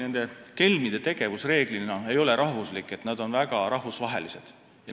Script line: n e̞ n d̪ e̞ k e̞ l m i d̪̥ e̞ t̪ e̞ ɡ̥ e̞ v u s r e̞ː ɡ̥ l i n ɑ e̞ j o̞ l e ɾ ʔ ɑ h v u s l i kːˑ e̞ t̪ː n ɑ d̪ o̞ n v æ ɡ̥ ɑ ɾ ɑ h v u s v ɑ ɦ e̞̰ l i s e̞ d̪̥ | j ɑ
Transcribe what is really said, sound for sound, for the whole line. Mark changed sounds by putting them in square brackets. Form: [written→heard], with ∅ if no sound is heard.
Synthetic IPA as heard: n e̞ n d̪ e̞ k e̞ l m i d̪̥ e̞ t̪ e̞ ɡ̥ e̞ v u s r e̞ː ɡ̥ l i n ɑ e̞ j o̞ l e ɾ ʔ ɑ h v u s l i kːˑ e̞ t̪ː n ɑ d̪ o̞ n v æ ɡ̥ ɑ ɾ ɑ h v u s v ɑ ɦ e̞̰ l i s e̞ d̪̥ | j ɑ